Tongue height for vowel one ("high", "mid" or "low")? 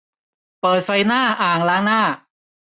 mid